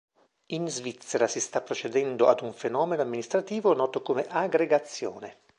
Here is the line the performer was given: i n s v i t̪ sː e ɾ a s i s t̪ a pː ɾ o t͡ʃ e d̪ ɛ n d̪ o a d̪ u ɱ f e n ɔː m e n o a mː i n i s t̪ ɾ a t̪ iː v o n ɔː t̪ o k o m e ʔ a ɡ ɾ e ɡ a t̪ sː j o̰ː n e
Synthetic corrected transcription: i n z v i t̪ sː e ɾ a s i s t̪ a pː ɾ o t͡ʃ e d̪ ɛ n d̪ o a d̪ u ɱ f e n ɔː m e n o a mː i n i s t̪ ɾ a t̪ iː v o n ɔː t̪ o k o m e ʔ a ɡ ɾ e ɡ a t̪ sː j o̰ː n e